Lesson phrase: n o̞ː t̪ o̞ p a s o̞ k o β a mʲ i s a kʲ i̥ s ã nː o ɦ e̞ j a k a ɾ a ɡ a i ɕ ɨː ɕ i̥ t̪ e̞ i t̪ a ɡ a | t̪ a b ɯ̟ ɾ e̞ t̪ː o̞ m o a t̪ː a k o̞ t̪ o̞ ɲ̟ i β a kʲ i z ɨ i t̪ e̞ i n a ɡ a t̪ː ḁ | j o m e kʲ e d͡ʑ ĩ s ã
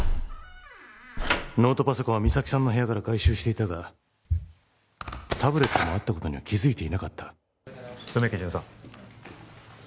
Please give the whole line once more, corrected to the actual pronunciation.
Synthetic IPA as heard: n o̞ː t̪ o̞ p a s o̞ k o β a mʲ i s a kʲ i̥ s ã nː o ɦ e̞ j a k a ɾ a ɡ a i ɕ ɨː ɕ i̥ t̪ e̞ i t̪ a ɡ a | t̪ a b ɯ̟ ɾ e̞ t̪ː o̞ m o a t̪ː a k o̞ t̪ o̞ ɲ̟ i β a kʲ i z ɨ i t̪ e̞ i n a k a t̪ː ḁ | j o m e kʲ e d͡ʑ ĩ s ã

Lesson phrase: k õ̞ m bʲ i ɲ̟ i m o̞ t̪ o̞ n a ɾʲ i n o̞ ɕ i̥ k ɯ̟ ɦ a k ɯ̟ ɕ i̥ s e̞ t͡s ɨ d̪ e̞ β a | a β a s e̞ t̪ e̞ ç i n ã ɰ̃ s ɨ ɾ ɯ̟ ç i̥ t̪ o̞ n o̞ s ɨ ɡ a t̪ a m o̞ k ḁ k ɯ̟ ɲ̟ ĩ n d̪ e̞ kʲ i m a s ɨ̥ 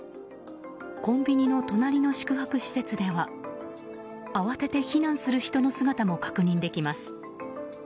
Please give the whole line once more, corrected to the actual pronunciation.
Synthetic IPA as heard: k õ̞ m bʲ i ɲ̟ i n o̞ t̪ o̞ n a ɾʲ i n o̞ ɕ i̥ k ɯ̟ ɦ a k ɯ̟ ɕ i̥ s e̞ t͡s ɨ d̪ e̞ β a | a β a s e̞ t̪ e̞ ç i n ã ɰ̃ s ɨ ɾ ɯ̟ ç i̥ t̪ o̞ n o̞ s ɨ ɡ a t̪ a m o̞ k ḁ k ɯ̟ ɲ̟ ĩ n d̪ e̞ kʲ i m a s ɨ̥

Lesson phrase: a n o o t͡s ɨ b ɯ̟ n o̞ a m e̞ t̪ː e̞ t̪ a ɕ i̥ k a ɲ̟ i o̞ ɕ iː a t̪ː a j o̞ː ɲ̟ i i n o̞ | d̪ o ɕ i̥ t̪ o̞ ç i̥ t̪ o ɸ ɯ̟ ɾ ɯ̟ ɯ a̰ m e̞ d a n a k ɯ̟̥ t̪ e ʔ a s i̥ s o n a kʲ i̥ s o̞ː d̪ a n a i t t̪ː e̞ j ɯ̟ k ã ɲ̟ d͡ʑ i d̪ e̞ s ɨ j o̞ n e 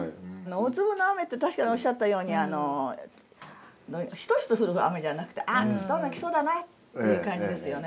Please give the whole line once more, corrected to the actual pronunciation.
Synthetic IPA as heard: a n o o t͡s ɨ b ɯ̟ n o̞ a m e̞ t̪ː e̞ t̪ a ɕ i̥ k a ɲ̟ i o̞ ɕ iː a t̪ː a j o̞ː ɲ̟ i a n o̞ | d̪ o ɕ i̥ t̪ o̞ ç i̥ t̪ o ɸ ɯ̟ ɾ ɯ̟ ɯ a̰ m e̞ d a n a k ɯ̟̥ t̪ e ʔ a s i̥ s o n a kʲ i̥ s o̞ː d̪ a n a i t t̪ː e̞ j ɯ̟ k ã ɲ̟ d͡ʑ i d̪ e̞ s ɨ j o̞ n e

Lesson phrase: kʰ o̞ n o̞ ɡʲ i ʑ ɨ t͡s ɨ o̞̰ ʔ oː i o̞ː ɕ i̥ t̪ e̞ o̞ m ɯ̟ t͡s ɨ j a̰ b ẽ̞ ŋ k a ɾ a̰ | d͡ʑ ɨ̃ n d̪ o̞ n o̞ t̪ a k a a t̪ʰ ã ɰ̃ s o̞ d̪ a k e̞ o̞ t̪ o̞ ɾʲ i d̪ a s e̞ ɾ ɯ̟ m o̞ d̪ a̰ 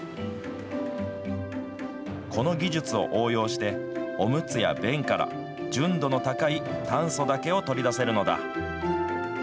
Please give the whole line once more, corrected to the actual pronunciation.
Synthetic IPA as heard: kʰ o̞ n o̞ ɡʲ i ʑ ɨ t͡s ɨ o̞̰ ʔ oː j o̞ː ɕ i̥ t̪ e̞ o̞ m ɯ̟ t͡s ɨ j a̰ b ẽ̞ ŋ k a ɾ a̰ | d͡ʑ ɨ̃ n d̪ o̞ n o̞ t̪ a k a i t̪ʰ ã ɰ̃ s o̞ d̪ a k e̞ o̞ t̪ o̞ ɾʲ i d̪ a s e̞ ɾ ɯ̟ n o̞ d̪ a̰

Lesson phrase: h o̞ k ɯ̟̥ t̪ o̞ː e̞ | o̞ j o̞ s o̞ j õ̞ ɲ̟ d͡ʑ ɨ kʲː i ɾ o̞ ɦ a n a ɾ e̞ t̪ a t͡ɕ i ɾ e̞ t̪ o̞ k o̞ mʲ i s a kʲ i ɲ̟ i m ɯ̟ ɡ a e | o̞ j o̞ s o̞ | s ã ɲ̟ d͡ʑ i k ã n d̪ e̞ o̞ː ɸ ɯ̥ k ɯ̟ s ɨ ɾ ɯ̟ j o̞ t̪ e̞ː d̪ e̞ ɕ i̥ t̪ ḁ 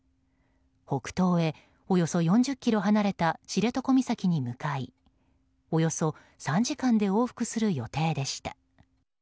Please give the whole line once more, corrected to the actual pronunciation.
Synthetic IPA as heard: h o̞ k ɯ̟̥ t̪ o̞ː e̞ | o̞ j o̞ s o̞ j õ̞ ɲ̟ d͡ʑ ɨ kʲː i ɾ o̞ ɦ a n a ɾ e̞ t̪ a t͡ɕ i ɾ e̞ t̪ o̞ k o̞ mʲ i s a kʲ i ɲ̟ i m ɯ̟ k a i | o̞ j o̞ s o̞ | s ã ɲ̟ d͡ʑ i k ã n d̪ e̞ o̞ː ɸ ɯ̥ k ɯ̟ s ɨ ɾ ɯ̟ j o̞ t̪ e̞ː d̪ e̞ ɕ i̥ t̪ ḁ

